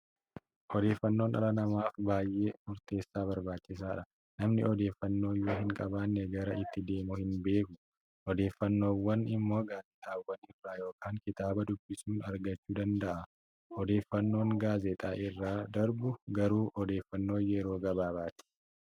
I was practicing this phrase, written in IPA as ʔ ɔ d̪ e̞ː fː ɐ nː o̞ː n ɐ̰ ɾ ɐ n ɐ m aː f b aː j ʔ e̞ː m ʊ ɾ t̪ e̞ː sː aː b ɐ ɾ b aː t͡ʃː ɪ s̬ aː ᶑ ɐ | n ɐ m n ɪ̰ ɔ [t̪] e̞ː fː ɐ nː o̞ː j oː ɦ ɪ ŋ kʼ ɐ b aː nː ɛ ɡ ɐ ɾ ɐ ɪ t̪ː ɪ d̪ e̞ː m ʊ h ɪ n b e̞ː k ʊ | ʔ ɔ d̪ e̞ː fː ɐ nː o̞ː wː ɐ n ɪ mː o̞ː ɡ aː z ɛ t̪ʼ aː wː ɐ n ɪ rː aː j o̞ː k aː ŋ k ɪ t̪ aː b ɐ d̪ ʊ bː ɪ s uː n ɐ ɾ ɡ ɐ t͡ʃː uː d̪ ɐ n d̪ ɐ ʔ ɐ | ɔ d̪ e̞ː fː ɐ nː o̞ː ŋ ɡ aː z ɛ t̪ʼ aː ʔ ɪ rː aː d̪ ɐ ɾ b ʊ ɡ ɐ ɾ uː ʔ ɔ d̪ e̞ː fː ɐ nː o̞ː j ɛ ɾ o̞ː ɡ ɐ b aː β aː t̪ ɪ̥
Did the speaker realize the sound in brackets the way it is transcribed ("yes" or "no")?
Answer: no